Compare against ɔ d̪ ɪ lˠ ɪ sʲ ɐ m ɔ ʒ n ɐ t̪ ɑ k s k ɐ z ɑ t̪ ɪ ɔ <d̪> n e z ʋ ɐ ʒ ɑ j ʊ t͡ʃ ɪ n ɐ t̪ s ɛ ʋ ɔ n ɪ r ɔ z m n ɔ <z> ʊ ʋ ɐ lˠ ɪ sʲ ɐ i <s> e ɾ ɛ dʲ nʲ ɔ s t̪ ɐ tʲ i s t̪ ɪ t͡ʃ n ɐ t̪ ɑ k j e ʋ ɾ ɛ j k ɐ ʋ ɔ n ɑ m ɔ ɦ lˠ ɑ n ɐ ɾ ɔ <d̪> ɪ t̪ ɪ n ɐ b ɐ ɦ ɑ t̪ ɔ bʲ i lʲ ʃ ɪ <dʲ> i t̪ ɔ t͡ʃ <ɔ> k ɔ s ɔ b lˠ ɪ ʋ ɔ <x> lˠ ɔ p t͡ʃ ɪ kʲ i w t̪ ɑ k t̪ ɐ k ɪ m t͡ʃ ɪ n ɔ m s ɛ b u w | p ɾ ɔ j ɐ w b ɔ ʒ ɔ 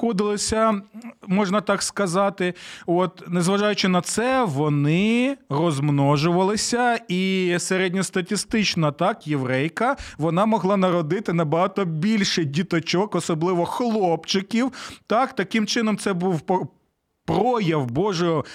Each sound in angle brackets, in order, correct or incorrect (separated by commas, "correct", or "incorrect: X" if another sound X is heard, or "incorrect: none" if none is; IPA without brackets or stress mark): incorrect: t̪, incorrect: ʒ, correct, correct, correct, correct, correct